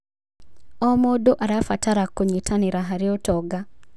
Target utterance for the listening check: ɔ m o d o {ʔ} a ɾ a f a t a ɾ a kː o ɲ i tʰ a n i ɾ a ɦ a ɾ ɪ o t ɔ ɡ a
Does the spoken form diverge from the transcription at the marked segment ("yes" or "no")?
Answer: no